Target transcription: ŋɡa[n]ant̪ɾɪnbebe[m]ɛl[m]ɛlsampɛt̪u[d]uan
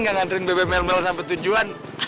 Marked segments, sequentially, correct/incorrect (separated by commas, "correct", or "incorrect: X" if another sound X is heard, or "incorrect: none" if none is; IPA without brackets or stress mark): incorrect: ŋ, correct, correct, incorrect: d͡ʒ